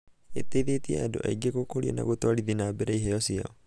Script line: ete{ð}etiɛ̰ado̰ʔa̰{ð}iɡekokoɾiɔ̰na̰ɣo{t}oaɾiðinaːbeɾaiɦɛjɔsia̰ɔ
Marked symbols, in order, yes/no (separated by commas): yes, no, yes